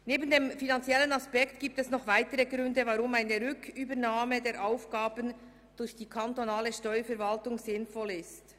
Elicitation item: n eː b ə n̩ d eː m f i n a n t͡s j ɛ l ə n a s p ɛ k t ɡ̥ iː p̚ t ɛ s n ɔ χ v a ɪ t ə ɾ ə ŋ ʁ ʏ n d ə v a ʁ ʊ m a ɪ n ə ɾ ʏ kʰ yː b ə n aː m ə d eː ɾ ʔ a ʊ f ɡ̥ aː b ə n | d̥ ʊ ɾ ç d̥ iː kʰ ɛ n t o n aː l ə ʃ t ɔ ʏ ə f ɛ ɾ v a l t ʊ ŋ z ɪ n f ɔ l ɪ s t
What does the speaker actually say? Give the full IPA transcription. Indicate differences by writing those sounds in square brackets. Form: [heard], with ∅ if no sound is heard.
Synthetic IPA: n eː b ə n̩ d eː m f i n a n t͡s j ɛ l ə n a s p ɛ k t ɡ̥ iː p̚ t ɛ s n ɔ χ v a ɪ t ə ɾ ə [ɡ] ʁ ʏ n d ə v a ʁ ʊ m a ɪ n ə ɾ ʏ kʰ yː b ə n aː m ə d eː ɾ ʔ a ʊ f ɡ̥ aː b ə n | d̥ ʊ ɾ ç d̥ iː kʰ [a] n t o n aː l ə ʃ t ɔ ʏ ə f ɛ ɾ v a l t ʊ ŋ z ɪ n f ɔ l ɪ s t